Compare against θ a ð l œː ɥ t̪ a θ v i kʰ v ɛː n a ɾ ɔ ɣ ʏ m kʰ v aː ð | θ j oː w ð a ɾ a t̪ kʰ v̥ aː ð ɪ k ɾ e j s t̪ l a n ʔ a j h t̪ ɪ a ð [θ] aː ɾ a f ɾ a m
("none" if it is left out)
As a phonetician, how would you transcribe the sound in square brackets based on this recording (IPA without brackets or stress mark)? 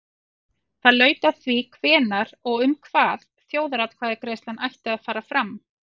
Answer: f